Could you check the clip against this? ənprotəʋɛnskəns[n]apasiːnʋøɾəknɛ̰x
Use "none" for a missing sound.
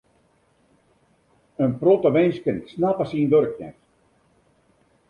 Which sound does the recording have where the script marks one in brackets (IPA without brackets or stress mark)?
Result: n